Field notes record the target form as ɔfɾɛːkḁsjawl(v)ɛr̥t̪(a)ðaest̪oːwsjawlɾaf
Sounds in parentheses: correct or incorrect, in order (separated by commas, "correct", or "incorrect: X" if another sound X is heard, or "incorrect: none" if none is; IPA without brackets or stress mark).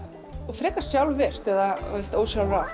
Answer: correct, incorrect: ɛ